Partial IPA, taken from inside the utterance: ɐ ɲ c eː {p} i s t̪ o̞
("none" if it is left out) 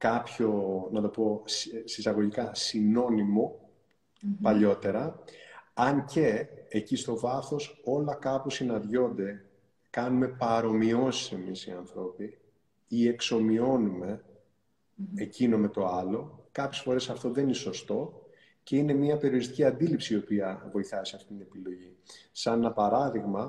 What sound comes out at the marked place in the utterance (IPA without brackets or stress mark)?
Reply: c